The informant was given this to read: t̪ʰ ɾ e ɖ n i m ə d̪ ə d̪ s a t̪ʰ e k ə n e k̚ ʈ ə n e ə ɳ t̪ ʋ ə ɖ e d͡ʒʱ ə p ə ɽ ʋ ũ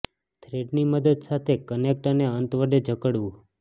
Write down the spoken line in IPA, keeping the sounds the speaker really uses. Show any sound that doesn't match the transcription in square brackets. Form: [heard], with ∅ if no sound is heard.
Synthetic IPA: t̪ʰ ɾ e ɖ n i m ə d̪ ə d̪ s a t̪ʰ e k ə n e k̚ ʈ ə n e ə [n] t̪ ʋ ə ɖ e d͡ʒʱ ə [k] ə ɽ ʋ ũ